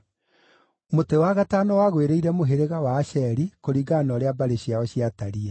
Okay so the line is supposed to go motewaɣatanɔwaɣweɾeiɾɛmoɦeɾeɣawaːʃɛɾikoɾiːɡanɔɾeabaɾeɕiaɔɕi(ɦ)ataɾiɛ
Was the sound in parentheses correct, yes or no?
no